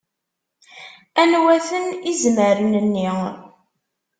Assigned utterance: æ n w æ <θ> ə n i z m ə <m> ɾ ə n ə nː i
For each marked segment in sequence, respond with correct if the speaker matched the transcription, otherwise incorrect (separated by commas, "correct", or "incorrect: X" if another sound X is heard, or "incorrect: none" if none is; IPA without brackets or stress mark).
correct, incorrect: none